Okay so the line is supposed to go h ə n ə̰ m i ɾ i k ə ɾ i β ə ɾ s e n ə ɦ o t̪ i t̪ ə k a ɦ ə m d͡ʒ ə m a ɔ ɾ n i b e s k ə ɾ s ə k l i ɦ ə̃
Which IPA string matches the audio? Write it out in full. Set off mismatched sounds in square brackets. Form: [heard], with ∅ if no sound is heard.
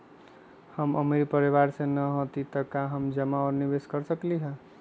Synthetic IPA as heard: h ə [m] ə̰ m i ɾ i [p] ə ɾ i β [a] ɾ s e n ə ɦ o t̪ i t̪ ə k a ɦ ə m d͡ʒ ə m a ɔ ɾ n i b e s k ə ɾ s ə k l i ɦ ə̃